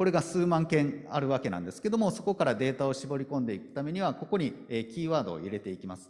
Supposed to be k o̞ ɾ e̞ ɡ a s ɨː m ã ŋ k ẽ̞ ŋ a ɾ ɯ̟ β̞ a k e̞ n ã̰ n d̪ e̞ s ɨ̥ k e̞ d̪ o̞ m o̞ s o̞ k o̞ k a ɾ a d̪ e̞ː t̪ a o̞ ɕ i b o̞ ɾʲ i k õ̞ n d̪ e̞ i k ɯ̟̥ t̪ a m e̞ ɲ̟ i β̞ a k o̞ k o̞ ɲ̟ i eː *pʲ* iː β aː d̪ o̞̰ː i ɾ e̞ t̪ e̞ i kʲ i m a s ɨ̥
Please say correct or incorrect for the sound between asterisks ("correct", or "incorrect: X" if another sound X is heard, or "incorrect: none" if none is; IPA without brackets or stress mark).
incorrect: kʲ